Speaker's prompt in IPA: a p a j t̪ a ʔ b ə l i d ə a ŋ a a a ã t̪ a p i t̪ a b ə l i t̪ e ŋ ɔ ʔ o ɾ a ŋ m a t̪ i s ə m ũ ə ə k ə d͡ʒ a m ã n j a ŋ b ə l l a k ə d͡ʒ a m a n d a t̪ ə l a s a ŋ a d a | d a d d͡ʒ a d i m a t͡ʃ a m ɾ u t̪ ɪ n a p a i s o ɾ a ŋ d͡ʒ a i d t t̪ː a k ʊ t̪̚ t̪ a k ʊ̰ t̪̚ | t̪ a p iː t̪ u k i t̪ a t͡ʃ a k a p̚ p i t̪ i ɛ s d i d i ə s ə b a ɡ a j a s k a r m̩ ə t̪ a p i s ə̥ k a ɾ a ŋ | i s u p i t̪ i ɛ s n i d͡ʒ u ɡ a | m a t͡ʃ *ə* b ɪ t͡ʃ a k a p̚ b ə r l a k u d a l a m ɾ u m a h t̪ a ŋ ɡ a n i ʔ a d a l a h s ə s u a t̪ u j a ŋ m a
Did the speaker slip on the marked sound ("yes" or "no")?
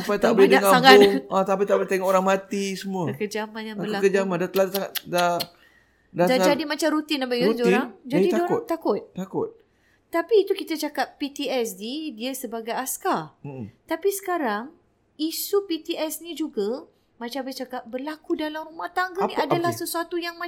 yes